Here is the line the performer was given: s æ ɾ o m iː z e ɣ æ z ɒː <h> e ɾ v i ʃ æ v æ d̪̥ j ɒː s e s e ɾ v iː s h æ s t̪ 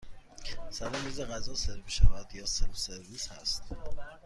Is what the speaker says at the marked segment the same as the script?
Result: no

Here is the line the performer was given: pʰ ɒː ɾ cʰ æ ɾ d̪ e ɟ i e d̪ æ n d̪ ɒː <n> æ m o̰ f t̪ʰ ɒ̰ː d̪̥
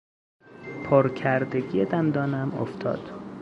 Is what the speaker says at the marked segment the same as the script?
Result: yes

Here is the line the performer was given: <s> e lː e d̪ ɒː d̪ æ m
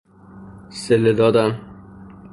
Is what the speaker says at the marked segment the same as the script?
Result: yes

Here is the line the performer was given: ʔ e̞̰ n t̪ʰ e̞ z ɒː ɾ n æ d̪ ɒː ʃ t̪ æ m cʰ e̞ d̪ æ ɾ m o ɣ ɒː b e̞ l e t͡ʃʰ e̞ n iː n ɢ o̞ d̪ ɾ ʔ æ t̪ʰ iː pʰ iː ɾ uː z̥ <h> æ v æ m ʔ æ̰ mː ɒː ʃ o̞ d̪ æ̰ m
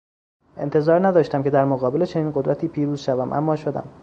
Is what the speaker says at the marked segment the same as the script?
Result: no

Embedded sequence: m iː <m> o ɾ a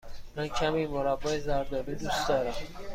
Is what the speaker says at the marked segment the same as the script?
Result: yes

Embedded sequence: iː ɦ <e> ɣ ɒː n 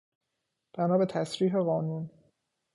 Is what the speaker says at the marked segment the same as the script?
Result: yes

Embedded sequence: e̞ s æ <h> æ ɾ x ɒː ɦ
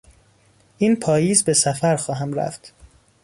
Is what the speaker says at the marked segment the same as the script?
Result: no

